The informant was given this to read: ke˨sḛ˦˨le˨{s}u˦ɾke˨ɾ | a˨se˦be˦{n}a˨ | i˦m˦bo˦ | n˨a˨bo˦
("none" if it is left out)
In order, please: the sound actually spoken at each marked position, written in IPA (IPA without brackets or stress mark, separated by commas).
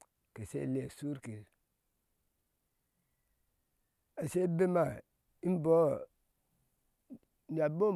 s, m